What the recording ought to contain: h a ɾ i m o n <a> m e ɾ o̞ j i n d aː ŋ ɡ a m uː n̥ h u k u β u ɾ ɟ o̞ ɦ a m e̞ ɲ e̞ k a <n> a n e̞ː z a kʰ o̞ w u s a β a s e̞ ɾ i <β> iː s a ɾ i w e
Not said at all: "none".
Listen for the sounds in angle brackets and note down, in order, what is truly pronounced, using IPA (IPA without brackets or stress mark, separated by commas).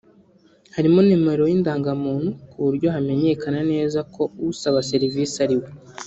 i, n, v